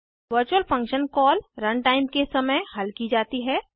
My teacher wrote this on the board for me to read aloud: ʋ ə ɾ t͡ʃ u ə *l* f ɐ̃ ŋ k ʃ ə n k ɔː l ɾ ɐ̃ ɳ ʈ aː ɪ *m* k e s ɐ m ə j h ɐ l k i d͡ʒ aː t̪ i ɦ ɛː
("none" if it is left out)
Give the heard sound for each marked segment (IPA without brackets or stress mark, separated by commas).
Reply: l, m